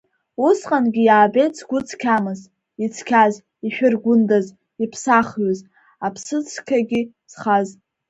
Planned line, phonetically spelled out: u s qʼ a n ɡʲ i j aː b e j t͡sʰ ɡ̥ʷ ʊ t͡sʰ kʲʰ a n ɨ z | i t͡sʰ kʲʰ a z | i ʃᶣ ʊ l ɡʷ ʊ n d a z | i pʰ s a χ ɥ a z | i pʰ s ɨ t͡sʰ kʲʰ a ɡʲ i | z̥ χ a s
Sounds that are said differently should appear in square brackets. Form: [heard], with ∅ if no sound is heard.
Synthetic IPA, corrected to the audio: u s qʼ a n ɡʲ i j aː b e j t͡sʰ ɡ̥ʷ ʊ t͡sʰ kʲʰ a [m] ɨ z | i t͡sʰ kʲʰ a z | i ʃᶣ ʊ [r] ɡʷ ʊ n d a z | i pʰ s a χ ɥ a z | [a] pʰ s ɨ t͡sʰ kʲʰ a ɡʲ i | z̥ χ a [z]

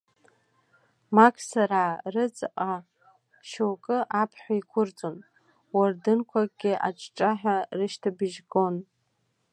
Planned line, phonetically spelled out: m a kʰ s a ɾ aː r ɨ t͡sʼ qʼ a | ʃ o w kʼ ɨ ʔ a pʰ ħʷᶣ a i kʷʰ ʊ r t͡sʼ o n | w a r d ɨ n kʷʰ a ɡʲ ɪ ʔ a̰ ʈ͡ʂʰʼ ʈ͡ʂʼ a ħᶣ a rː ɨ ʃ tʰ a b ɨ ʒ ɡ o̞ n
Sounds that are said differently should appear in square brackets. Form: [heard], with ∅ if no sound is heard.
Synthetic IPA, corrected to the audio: m a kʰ s a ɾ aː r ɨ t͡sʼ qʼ a | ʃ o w kʼ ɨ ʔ a pʰ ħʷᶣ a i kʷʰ ʊ r t͡sʼ o n | w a r d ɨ n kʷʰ a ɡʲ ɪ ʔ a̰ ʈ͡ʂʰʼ ʈ͡ʂʼ a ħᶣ a [r] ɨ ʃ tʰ a b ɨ ʒ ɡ o̞ n

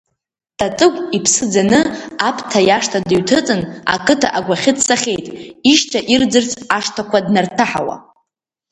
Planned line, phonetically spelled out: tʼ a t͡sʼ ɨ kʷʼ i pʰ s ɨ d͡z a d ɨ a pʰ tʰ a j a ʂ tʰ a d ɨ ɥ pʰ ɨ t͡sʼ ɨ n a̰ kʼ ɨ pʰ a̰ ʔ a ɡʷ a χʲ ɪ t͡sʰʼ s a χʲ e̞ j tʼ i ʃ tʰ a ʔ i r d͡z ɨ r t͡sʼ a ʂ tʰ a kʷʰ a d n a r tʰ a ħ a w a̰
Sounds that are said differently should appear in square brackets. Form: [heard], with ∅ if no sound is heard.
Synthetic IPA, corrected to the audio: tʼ a t͡sʼ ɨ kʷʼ i pʰ s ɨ d͡z a [n] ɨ a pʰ tʰ a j a ʂ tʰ a d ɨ ɥ [tʰ] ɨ t͡sʼ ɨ n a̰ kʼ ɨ [tʰ] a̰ ʔ a ɡʷ a χʲ ɪ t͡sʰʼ s a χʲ e̞ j tʼ i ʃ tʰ a ʔ i r d͡z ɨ r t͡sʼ a ʂ tʰ a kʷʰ a d n a r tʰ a ħ a w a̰

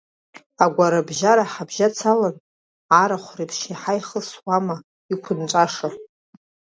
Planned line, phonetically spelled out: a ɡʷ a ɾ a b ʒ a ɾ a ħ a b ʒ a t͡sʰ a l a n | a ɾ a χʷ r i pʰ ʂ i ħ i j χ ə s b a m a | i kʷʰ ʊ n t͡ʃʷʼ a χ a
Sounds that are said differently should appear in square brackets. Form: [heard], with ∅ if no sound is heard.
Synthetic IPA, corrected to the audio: a ɡʷ a ɾ a b ʒ a ɾ a ħ a b ʒ a t͡sʰ a l a n | a ɾ a χʷ r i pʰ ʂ i ħ [a] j χ ə s [w] a m a | i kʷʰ ʊ n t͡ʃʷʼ a [ʂ] a

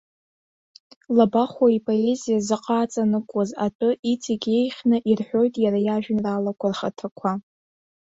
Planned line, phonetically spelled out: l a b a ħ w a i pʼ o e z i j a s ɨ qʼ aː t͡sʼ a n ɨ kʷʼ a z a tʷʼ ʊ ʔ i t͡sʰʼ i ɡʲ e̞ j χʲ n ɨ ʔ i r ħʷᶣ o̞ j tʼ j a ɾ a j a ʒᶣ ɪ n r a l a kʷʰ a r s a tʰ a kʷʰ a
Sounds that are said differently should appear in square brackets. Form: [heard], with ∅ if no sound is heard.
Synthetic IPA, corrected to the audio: l a b a [χ] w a i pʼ o e z i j a [z] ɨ qʼ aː t͡sʼ a n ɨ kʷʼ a z a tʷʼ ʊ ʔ i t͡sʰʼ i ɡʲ e̞ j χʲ n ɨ ʔ i r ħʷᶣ o̞ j tʼ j a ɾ a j a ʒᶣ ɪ n r a l a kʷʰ a r [χ] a tʰ a kʷʰ a

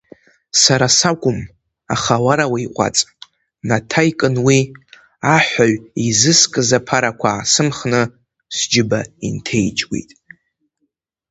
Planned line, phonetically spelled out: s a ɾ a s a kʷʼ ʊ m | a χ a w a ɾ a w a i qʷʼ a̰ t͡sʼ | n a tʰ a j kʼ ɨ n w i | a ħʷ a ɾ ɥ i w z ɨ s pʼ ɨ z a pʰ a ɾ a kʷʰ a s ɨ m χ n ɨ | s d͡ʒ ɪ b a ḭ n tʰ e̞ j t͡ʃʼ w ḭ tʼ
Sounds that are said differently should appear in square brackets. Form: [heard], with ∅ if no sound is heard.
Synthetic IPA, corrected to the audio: s a ɾ a s a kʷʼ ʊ m | a χ a w a ɾ a w a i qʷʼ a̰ t͡sʼ | n a tʰ a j kʼ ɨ n w i | a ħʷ a [∅] ɥ i [∅] z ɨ s [kʼ] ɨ z a pʰ a ɾ a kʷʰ a s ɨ m χ n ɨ | s d͡ʒ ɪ b a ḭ n tʰ e̞ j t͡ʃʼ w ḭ tʼ

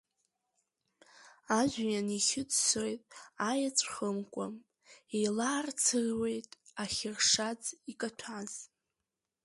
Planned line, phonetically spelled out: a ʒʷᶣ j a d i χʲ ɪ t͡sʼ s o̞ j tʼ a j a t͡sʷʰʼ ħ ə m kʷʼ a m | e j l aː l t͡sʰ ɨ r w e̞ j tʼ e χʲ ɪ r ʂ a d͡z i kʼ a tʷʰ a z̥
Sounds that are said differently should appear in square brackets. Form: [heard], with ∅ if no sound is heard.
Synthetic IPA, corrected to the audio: a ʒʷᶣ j a [n] i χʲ ɪ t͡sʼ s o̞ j tʼ a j a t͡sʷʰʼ [χ] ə m kʷʼ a m | e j l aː [r] t͡sʰ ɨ r w e̞ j tʼ [a] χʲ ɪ r ʂ a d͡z i kʼ a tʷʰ a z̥

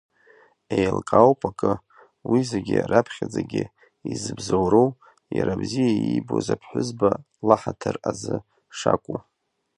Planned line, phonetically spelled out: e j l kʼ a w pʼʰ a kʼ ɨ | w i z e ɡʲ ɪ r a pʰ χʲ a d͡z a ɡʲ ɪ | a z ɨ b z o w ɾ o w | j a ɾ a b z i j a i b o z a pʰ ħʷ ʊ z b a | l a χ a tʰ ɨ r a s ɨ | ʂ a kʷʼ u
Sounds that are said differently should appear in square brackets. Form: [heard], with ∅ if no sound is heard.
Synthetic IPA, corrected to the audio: e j l kʼ a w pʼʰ a kʼ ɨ | w i z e ɡʲ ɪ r a pʰ χʲ a d͡z a ɡʲ ɪ | [i] z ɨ b z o w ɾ o w | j a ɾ a b z i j a i b o z a pʰ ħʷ ʊ z b a | l a [ħ] a tʰ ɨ r a [z] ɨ | ʂ a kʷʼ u

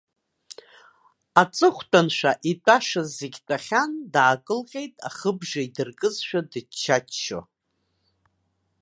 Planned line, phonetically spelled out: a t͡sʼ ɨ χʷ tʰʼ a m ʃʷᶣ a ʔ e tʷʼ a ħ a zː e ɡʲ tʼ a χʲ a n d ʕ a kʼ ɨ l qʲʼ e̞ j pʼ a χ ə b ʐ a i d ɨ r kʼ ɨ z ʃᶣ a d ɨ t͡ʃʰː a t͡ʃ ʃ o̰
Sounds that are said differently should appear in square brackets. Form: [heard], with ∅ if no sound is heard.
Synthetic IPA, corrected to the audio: a t͡sʼ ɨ χʷ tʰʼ a [n] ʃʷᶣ a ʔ [i] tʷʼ a [ʂ] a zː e ɡʲ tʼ a χʲ a n d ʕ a kʼ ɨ l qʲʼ e̞ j [tʼ] a χ ə b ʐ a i d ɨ r kʼ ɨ z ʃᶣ a d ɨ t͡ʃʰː a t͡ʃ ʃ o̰

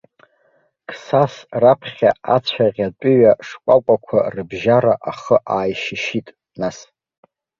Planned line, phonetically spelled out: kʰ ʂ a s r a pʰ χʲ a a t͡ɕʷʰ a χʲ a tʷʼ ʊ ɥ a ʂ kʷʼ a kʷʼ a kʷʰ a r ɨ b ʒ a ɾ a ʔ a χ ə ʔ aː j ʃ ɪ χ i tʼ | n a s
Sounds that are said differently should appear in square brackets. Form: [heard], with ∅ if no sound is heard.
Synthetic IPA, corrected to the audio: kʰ [s] a s r a pʰ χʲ a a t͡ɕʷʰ a [ʁʲ] a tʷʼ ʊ ɥ a ʂ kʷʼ a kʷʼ a kʷʰ a r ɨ b ʒ a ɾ a ʔ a χ ə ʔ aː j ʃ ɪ [ʃ] i tʼ | n a s

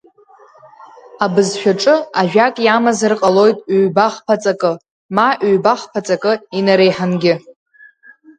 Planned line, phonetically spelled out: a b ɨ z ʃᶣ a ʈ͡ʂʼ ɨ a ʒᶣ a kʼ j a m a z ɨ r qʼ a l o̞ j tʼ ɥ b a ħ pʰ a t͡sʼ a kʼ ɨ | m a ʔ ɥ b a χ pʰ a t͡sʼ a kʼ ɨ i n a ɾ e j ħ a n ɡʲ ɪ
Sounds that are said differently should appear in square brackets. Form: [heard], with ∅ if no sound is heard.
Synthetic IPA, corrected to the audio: a b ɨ z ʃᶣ a ʈ͡ʂʼ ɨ a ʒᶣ a kʼ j a m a z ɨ r qʼ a l o̞ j tʼ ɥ b a [χ] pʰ a t͡sʼ a kʼ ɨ | m a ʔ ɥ b a χ pʰ a t͡sʼ a kʼ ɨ i n a ɾ e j ħ a n ɡʲ ɪ

